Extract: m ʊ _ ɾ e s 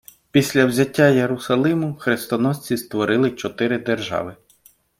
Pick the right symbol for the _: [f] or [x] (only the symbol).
x